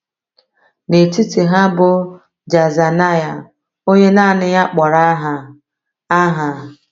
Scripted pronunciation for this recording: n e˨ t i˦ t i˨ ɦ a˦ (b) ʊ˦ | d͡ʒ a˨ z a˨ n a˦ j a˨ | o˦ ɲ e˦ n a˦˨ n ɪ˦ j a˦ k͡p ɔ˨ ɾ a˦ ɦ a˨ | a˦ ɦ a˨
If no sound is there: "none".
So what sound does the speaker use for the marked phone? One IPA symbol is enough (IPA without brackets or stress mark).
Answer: b